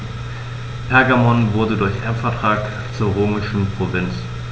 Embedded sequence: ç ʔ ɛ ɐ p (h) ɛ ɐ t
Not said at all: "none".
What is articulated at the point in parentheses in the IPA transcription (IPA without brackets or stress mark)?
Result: f